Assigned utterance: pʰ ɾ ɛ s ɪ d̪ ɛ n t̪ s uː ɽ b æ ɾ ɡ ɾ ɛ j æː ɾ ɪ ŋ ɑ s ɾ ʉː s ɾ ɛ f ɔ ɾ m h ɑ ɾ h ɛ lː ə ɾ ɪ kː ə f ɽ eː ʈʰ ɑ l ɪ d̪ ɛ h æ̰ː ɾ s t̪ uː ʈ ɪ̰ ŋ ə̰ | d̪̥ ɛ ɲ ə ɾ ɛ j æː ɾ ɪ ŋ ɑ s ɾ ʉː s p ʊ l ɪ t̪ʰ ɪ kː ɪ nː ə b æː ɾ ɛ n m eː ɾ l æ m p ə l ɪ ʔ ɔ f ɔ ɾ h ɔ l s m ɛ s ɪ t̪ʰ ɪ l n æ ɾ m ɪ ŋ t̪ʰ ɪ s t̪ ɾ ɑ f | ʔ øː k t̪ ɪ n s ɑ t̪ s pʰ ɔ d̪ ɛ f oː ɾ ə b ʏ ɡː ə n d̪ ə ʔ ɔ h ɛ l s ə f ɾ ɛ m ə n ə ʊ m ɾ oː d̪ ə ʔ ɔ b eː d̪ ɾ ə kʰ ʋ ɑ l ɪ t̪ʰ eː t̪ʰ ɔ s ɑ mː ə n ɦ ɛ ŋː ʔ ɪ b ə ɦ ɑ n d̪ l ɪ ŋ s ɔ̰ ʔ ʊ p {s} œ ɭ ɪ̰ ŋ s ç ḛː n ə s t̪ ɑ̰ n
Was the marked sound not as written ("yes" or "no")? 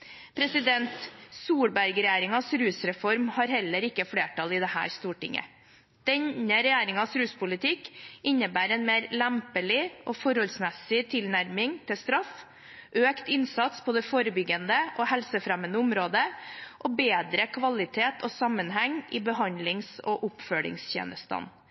yes